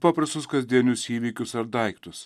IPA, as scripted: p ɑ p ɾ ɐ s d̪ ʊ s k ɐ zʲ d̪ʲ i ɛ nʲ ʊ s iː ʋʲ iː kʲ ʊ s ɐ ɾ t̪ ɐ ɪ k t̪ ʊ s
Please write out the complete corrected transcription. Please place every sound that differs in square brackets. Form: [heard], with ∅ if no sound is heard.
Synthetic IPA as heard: p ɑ p ɾ ɐ s [t̪] ʊ s k ɐ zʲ d̪ʲ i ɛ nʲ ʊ s iː ʋʲ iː kʲ ʊ s ɐ ɾ [d̪] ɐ ɪ k t̪ ʊ s